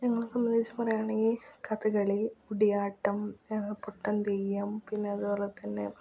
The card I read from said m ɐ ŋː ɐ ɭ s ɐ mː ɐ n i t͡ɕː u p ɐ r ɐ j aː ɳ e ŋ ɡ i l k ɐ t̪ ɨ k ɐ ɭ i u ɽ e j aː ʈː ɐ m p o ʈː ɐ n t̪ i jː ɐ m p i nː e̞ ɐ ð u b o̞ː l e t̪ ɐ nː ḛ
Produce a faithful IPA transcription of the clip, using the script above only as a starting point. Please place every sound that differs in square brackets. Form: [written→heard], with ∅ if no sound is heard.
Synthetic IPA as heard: [m→ɲ] ɐ ŋː ɐ ɭ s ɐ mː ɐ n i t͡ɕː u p ɐ r ɐ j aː ɳ e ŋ ɡ i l k ɐ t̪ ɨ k ɐ ɭ i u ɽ [e→i] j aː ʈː ɐ m p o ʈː ɐ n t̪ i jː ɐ m p i nː e̞ ɐ ð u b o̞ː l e t̪ ɐ nː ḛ